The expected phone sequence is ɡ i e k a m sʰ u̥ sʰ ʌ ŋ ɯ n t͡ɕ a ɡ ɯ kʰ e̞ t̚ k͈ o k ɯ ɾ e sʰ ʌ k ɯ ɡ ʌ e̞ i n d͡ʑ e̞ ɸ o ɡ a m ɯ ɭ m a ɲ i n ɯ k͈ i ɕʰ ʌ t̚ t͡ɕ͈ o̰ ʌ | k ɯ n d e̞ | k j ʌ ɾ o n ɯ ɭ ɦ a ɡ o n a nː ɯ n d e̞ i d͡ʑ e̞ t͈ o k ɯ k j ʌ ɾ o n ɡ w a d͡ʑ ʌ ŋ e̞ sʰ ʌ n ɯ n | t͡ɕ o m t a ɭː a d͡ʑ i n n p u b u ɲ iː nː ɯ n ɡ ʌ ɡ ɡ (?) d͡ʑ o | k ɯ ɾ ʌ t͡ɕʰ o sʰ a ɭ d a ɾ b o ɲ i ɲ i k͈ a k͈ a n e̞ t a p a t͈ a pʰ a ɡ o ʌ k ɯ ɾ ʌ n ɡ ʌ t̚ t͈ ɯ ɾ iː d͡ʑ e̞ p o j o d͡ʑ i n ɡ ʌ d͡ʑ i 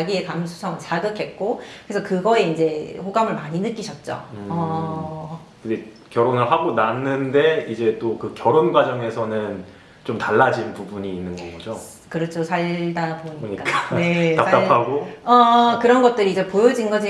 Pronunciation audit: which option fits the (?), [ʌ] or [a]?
ʌ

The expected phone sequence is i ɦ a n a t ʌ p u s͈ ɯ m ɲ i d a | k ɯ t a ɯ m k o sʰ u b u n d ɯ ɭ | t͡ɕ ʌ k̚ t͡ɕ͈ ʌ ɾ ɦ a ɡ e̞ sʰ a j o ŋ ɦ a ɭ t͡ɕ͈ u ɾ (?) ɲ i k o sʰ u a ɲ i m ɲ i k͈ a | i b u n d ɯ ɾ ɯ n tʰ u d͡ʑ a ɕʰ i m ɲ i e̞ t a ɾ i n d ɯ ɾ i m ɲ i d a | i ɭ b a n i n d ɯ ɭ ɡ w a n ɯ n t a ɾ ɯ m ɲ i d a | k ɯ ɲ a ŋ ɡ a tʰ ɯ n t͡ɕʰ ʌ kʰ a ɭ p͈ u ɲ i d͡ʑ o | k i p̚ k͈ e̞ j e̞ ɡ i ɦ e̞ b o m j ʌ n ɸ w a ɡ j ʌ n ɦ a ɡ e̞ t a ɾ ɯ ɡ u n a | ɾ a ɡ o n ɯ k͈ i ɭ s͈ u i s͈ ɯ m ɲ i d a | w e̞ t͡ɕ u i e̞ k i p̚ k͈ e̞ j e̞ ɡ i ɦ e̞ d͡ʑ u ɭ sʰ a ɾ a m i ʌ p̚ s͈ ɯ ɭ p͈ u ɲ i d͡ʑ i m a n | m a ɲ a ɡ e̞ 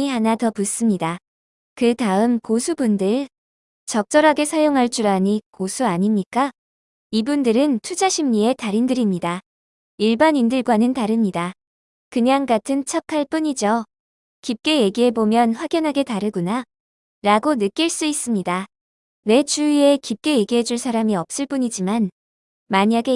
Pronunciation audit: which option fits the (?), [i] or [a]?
a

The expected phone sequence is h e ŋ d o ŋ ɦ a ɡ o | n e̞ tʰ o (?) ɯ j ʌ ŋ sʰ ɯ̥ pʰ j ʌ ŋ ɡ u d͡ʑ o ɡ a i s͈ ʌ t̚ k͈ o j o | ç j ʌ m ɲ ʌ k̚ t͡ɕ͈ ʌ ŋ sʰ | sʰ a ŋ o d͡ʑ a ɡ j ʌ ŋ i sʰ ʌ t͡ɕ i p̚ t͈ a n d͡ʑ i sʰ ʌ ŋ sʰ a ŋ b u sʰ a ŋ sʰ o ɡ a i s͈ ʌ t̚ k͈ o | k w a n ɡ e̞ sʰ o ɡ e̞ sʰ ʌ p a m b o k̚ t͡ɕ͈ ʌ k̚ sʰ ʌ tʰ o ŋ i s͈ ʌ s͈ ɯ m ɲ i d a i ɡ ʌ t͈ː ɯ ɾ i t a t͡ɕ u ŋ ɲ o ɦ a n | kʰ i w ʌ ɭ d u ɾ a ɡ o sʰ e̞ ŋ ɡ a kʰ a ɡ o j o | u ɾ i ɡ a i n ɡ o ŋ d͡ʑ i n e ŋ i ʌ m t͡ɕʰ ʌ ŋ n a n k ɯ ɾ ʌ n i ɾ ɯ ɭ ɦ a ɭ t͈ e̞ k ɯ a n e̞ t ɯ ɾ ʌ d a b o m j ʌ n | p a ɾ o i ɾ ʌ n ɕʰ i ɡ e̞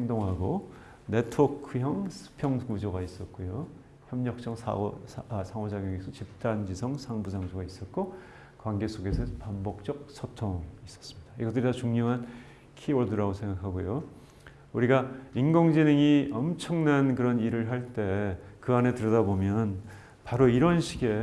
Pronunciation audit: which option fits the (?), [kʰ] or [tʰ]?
kʰ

